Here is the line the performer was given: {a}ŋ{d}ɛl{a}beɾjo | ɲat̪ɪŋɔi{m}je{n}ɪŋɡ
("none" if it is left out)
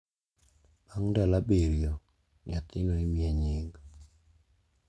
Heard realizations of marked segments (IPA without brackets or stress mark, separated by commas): a, d, a, m, ɲ